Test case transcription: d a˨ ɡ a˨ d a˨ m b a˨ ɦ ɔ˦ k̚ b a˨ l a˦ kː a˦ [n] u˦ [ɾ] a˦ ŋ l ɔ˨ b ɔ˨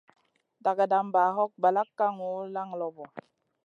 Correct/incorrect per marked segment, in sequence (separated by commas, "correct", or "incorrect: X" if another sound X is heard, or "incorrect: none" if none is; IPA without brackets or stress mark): incorrect: ŋ, incorrect: l